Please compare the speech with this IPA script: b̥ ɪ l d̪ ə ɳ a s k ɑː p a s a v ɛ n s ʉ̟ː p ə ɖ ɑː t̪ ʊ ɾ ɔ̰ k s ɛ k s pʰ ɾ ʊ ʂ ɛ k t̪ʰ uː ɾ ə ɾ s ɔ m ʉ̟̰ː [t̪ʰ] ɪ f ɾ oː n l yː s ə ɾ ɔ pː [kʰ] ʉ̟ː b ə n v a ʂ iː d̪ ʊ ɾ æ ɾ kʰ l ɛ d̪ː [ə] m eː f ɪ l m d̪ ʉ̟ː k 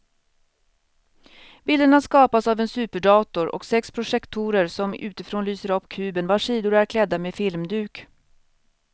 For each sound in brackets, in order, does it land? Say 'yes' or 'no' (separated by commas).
no, yes, no